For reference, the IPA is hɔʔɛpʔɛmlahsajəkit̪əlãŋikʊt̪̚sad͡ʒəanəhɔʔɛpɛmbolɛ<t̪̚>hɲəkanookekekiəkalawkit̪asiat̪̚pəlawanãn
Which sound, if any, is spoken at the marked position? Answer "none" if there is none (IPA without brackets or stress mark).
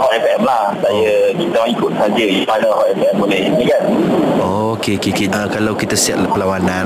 none